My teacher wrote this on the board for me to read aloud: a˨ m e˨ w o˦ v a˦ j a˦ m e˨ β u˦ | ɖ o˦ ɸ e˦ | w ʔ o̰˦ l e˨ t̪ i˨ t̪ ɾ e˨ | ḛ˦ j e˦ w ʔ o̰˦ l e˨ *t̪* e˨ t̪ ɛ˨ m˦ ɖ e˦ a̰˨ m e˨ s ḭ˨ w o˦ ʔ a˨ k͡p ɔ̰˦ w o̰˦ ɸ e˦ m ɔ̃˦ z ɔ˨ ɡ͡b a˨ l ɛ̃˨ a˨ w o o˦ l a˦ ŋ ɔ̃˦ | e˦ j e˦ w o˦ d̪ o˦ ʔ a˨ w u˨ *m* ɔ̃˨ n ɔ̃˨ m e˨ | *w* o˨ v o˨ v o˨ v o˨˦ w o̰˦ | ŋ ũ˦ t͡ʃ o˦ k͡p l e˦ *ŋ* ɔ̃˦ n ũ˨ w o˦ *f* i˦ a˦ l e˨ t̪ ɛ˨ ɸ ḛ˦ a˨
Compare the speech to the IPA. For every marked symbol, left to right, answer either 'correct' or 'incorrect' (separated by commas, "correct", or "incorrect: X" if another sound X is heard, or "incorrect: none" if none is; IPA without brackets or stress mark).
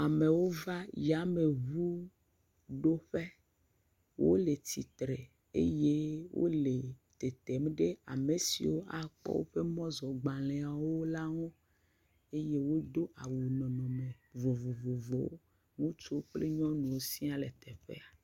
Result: correct, incorrect: n, incorrect: v, incorrect: ɲ, incorrect: s